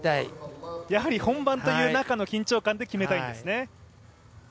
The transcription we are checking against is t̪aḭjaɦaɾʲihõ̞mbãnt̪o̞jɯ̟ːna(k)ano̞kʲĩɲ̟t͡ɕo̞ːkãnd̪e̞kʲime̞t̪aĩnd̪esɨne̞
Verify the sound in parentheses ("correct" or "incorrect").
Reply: correct